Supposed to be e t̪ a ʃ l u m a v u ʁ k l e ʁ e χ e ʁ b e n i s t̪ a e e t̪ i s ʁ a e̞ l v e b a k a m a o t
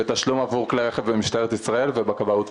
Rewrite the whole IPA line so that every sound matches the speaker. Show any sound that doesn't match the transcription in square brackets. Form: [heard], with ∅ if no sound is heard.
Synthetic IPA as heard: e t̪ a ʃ l u m a v u ʁ k l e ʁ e χ e [v] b e [m] i [ʃ] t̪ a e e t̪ i s ʁ a e̞ l v e b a k a [b] a [u] t